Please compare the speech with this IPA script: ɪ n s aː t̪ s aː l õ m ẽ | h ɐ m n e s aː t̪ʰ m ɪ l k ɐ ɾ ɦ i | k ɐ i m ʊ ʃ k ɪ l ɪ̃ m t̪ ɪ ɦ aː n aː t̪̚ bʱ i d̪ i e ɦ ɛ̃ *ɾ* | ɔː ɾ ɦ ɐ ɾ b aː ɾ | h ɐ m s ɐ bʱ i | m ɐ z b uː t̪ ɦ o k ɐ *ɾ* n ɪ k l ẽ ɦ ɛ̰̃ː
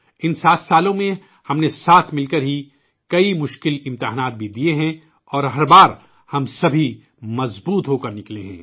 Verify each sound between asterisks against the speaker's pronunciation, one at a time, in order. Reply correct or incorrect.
incorrect: none, correct

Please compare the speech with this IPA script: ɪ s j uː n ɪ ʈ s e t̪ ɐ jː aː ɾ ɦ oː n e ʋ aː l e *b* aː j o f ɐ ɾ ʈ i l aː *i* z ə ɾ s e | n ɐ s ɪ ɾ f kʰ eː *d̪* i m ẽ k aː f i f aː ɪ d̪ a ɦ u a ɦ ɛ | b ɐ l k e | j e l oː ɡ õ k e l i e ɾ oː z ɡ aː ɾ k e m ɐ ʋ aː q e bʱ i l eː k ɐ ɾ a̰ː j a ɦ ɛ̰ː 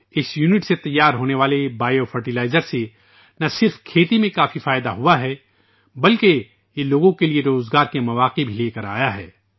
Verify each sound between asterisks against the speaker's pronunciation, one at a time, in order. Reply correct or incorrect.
correct, incorrect: ɪ, incorrect: t̪

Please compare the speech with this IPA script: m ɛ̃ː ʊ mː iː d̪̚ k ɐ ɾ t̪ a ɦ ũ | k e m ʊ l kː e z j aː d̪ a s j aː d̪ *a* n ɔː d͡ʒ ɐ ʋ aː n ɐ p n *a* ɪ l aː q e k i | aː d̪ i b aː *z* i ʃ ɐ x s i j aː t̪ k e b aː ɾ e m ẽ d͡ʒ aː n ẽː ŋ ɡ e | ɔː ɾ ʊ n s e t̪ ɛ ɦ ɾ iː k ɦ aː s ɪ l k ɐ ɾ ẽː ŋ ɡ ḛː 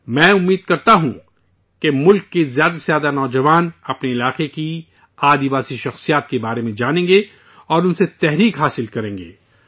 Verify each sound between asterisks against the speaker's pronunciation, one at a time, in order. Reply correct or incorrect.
correct, incorrect: e, incorrect: s

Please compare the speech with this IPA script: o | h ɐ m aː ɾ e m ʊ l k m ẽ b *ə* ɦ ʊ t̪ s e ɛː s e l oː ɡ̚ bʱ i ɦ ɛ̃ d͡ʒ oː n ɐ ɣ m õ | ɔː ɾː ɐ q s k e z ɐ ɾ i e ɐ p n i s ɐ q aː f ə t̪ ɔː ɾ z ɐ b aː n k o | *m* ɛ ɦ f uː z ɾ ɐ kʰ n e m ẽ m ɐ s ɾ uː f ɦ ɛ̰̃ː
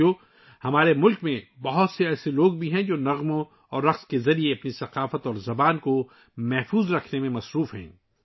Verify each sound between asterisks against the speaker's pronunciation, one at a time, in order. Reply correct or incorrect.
incorrect: ɐ, correct

